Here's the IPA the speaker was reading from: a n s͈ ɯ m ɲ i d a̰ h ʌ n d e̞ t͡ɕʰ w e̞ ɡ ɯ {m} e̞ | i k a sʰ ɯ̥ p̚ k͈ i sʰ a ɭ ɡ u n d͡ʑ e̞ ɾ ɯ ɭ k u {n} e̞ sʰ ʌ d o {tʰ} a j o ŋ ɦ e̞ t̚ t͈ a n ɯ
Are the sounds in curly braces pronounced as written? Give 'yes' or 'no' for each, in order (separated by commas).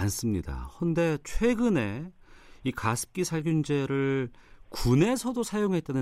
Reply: no, yes, no